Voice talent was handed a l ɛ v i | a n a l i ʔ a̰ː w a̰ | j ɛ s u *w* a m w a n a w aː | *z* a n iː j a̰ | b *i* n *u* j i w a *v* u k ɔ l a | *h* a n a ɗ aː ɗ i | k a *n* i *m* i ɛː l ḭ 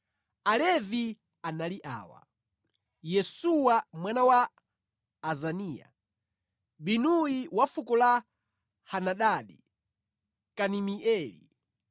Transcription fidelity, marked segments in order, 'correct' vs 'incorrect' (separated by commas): correct, correct, correct, correct, incorrect, correct, correct, correct